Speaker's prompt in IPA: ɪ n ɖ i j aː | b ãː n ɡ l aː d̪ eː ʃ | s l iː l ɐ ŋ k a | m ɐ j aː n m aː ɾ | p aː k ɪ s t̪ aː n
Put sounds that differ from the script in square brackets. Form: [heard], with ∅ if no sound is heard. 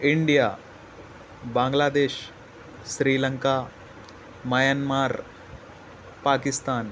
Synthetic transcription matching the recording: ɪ [ɳ] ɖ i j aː | b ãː [ŋ] ɡ l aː d̪ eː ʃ | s [ɾ] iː l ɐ ŋ k a | m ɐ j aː n m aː ɾ | p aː k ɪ s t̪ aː n